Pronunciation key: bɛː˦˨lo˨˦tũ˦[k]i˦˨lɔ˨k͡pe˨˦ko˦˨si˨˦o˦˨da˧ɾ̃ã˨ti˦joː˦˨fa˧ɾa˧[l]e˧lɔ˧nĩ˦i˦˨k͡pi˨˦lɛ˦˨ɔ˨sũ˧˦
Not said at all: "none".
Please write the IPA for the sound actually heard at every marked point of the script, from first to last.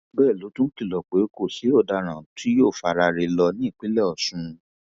k, ɾ

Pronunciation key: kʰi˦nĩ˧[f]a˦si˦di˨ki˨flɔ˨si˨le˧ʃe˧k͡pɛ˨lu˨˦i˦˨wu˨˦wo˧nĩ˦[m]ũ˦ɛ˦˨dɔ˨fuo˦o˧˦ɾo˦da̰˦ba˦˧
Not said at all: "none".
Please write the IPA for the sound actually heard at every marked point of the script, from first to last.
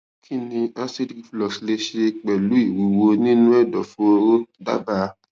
none, n

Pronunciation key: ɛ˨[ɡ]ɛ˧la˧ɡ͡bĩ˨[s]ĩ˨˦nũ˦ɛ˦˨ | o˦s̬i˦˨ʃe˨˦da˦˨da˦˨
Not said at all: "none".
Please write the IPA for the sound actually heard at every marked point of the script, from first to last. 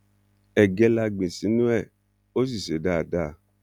ɡ, s

